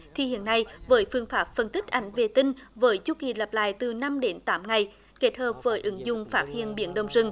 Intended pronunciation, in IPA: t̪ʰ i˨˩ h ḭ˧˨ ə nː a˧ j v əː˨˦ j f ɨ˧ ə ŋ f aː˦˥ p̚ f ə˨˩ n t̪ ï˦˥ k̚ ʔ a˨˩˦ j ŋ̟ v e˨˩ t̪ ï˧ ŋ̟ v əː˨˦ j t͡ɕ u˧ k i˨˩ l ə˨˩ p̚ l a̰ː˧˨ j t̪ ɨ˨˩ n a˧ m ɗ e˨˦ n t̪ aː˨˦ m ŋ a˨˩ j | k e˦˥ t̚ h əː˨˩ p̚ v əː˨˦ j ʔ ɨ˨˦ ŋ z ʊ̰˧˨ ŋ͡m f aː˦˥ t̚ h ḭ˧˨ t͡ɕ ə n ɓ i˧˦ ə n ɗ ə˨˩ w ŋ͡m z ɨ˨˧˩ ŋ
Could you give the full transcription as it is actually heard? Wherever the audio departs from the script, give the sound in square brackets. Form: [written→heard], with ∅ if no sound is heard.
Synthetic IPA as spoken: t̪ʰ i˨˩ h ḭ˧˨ ə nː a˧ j v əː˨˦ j f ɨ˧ ə ŋ f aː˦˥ p̚ f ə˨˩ n t̪ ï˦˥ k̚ ʔ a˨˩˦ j ŋ̟ v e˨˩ t̪ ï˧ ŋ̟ v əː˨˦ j t͡ɕ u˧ k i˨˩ l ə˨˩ p̚ l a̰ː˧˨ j t̪ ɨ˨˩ n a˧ m ɗ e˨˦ n t̪ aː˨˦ m ŋ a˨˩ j | k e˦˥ t̚ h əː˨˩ p̚ v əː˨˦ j ʔ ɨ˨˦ ŋ z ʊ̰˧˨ ŋ͡m f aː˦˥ t̚ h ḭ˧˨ [t͡ɕ→∅] ə n ɓ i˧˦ ə n ɗ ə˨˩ w ŋ͡m z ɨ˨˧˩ ŋ